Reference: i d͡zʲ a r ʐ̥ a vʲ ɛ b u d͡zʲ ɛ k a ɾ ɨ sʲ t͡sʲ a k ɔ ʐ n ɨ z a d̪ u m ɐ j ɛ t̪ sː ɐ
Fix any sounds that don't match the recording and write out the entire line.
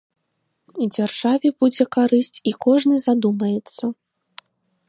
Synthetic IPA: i d͡zʲ a r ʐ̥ a vʲ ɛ b u d͡zʲ ɛ k a ɾ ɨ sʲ t͡sʲ i k ɔ ʐ n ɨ z a d̪ u m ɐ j ɛ t̪ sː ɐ